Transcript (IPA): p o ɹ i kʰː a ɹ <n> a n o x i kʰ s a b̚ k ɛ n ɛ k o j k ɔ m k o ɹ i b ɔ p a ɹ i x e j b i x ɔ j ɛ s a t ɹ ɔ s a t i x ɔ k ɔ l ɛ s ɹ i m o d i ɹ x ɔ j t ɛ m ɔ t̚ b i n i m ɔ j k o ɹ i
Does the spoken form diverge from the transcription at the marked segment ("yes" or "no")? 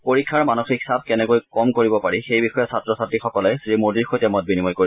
yes